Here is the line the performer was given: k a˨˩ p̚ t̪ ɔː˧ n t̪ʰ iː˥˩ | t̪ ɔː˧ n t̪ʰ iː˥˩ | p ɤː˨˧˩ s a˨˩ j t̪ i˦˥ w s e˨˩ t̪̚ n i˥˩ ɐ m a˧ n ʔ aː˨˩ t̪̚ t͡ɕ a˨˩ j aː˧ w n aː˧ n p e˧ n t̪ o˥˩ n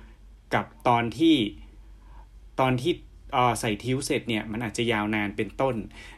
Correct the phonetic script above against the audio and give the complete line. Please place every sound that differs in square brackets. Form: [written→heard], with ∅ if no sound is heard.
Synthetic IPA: k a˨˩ p̚ t̪ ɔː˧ n t̪ʰ iː˥˩ | t̪ ɔː˧ n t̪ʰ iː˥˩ | [p→ʔ] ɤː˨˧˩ s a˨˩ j [t̪→t̪ʰ] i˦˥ w s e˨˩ t̪̚ n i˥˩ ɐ m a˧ n ʔ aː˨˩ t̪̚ t͡ɕ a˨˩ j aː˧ w n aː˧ n p e˧ n t̪ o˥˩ n